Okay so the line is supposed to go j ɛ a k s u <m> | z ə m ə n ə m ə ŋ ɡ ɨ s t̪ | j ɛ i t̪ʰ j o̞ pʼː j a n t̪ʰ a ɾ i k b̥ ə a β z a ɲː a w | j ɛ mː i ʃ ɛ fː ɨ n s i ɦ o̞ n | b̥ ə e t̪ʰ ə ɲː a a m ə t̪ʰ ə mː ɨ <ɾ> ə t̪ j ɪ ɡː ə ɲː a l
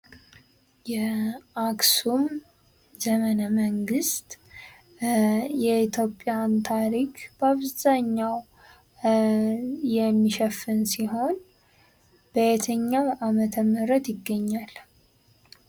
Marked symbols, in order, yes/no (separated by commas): yes, yes